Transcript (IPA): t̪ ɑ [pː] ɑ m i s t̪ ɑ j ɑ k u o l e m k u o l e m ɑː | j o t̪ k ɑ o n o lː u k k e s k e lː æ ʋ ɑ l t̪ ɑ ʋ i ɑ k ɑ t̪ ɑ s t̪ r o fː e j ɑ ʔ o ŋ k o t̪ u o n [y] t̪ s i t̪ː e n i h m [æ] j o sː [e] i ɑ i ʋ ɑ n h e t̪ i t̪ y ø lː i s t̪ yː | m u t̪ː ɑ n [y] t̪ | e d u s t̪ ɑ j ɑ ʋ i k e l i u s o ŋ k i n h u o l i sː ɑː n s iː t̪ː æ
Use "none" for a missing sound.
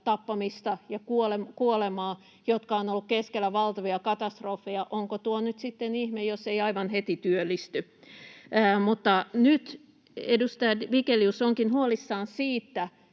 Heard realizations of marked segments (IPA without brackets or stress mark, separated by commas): pː, y, e, e, y